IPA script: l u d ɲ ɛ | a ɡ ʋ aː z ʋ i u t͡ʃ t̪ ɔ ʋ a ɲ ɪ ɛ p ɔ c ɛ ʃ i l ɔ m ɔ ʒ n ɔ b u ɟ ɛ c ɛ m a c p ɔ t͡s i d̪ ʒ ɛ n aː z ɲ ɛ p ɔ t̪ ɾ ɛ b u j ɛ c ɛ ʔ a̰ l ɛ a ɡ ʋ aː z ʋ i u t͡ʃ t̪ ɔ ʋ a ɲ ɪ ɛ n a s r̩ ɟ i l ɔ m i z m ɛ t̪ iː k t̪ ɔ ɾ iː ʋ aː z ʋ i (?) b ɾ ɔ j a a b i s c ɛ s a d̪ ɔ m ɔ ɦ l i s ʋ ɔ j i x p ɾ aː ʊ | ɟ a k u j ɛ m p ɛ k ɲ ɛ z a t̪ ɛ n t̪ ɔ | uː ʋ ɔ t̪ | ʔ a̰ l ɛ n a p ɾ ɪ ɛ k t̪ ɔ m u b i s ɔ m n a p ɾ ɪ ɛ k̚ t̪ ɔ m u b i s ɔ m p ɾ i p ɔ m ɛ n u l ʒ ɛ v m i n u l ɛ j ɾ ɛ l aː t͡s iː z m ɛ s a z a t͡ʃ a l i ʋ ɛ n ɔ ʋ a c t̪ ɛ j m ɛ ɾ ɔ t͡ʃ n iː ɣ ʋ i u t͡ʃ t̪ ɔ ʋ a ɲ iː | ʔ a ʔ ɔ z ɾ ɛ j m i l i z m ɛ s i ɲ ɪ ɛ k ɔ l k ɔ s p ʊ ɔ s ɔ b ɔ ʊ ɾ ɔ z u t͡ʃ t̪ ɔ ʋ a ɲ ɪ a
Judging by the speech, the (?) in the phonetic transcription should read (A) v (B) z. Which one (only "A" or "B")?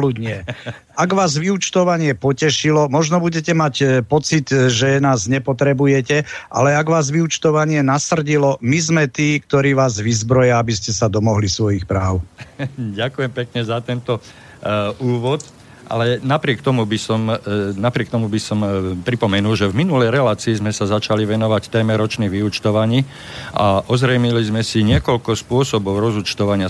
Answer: B